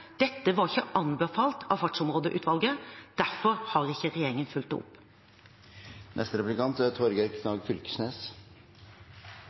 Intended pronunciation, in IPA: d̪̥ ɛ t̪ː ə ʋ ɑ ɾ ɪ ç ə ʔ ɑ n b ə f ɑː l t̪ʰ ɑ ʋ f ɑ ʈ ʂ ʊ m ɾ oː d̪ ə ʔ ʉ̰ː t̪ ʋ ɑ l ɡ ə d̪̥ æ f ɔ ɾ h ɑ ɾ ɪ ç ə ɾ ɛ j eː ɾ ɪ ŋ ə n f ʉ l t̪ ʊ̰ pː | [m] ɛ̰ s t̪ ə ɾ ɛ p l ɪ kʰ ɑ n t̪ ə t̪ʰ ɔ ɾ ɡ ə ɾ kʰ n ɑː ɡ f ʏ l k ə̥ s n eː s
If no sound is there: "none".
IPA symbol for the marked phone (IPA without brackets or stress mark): n